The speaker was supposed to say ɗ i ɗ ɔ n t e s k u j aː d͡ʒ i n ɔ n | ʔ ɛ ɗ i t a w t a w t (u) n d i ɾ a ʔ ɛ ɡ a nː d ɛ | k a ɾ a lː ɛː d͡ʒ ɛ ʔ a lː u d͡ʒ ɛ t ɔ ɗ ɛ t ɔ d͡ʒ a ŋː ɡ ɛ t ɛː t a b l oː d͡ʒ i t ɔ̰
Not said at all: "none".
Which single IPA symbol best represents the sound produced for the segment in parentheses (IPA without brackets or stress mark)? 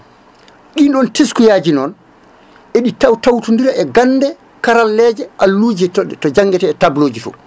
u